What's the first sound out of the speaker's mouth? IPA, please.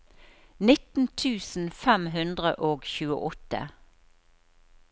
n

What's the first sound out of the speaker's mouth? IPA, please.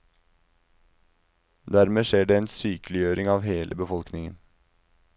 d̪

